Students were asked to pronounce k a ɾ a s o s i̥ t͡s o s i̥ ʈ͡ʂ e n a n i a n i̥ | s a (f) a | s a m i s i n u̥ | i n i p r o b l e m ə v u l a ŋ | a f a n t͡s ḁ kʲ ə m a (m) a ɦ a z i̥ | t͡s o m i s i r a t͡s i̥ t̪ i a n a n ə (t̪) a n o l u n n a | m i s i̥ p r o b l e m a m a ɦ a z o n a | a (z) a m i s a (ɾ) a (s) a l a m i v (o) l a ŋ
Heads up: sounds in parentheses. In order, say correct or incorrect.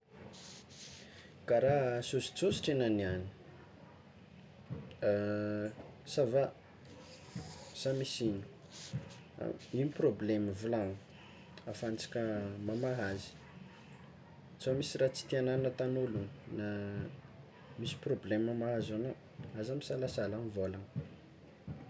incorrect: v, correct, correct, correct, incorrect: l, correct, correct

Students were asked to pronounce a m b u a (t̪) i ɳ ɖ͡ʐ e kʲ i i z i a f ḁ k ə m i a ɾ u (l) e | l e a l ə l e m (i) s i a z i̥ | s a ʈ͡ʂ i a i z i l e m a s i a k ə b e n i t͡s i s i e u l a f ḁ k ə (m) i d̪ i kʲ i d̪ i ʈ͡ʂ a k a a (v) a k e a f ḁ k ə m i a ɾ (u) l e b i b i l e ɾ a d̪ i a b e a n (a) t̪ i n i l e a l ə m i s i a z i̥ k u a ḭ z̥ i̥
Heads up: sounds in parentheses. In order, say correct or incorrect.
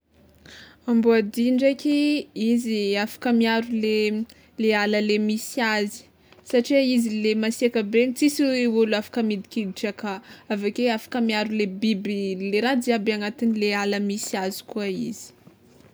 incorrect: d̪, correct, correct, correct, correct, correct, correct

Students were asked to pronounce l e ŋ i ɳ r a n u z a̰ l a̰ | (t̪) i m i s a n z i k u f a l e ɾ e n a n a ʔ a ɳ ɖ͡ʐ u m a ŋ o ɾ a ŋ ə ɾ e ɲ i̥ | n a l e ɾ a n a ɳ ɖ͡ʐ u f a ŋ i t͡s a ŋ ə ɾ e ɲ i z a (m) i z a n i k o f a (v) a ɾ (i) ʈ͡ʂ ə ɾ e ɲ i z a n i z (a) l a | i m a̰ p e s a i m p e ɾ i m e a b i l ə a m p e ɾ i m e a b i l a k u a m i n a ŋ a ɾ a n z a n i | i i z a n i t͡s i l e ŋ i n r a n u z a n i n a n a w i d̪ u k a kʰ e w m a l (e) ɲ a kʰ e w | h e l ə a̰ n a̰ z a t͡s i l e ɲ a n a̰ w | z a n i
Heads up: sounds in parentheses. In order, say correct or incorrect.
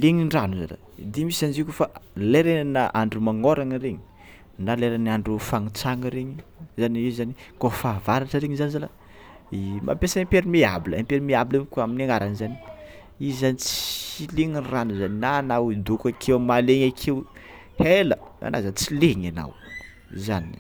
incorrect: d̪, incorrect: n, correct, incorrect: a, correct, correct

